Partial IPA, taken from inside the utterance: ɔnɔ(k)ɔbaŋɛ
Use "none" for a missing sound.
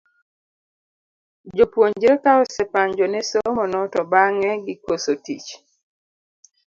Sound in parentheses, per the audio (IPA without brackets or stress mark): t